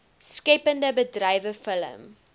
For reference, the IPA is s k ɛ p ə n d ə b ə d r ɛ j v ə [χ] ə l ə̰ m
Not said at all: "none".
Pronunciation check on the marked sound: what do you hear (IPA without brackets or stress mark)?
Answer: f